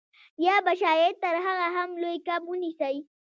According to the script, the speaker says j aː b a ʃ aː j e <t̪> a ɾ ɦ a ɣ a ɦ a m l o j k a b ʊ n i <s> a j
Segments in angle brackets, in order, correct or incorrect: correct, correct

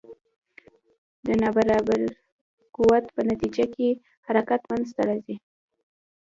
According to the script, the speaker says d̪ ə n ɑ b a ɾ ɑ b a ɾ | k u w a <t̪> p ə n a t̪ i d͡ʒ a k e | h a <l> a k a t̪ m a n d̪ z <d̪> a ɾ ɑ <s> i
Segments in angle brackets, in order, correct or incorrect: correct, incorrect: ɾ, incorrect: t̪, incorrect: z

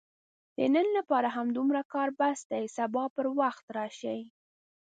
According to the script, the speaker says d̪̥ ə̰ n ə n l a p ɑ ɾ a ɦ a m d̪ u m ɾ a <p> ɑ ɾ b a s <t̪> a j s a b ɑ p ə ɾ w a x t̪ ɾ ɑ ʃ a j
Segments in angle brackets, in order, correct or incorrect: incorrect: k, incorrect: d̪

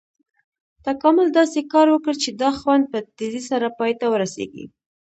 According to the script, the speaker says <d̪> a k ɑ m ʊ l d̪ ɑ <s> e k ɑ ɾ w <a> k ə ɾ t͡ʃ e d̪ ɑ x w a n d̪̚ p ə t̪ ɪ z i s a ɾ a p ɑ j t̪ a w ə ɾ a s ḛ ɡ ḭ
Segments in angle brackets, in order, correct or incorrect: incorrect: t̪, correct, incorrect: ə

